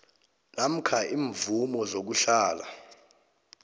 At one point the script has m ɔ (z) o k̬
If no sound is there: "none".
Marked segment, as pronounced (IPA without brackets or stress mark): z